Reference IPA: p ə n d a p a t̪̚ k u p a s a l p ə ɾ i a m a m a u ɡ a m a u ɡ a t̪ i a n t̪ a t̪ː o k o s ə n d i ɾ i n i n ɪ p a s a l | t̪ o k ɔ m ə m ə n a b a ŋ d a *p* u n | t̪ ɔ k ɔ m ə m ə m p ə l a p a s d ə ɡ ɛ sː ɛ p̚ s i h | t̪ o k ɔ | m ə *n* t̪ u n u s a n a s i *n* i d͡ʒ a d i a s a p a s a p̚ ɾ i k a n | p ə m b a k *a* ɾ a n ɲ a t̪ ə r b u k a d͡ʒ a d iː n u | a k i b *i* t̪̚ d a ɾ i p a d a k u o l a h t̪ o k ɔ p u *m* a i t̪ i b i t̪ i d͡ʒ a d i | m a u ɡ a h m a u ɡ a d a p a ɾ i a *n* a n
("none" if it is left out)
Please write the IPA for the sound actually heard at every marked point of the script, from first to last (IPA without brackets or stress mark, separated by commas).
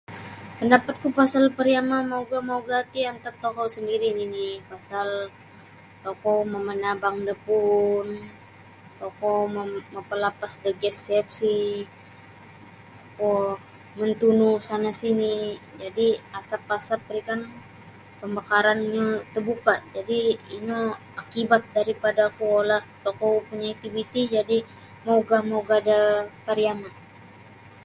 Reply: p, n, n, a, a, ɲ, m